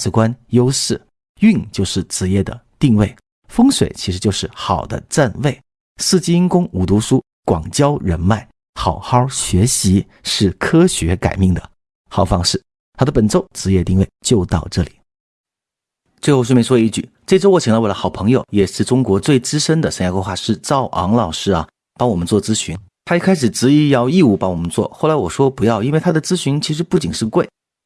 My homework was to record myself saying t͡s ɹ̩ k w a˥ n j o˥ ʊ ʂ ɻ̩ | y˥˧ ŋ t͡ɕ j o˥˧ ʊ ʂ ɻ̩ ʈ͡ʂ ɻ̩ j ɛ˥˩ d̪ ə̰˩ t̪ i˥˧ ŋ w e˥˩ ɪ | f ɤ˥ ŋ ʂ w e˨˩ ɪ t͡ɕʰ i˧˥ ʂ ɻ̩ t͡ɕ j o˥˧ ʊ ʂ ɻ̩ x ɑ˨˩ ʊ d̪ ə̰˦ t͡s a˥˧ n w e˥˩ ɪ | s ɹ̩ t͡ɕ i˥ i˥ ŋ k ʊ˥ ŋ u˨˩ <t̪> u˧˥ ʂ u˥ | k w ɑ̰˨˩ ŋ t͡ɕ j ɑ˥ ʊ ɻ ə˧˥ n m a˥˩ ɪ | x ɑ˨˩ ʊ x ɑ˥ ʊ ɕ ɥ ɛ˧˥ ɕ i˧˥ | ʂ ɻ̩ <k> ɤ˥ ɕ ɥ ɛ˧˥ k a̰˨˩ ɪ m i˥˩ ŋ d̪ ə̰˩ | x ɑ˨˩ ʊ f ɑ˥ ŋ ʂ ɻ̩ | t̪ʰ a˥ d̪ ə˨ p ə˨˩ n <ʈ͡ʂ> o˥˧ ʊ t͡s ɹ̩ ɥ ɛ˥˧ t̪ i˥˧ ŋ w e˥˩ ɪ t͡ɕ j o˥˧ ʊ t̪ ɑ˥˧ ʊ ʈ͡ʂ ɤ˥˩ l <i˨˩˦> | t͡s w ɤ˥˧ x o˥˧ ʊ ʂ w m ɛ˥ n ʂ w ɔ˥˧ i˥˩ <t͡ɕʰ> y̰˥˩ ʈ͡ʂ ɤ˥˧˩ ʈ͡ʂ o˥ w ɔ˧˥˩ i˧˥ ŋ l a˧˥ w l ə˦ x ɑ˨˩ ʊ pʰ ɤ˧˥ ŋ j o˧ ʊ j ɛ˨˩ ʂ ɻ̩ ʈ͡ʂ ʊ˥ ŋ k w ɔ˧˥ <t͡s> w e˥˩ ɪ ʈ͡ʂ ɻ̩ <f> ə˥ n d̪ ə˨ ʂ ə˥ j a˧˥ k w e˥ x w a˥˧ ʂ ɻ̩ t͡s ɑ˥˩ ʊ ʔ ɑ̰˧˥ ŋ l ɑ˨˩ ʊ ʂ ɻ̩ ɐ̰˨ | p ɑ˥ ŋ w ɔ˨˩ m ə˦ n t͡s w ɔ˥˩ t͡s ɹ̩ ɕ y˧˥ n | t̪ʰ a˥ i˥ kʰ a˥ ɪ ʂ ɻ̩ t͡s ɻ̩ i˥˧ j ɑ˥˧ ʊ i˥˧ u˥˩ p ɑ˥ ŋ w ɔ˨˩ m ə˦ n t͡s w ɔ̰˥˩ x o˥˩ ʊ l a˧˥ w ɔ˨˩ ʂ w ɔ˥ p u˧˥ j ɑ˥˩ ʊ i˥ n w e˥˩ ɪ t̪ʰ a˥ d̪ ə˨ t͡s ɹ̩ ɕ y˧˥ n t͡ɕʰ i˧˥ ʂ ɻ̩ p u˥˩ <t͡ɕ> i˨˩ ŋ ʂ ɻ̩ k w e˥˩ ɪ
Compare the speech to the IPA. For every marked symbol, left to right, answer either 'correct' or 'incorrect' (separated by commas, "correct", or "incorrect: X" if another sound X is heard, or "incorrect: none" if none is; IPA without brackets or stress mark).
correct, incorrect: kʰ, correct, correct, incorrect: t͡ɕ, correct, incorrect: ʂ, correct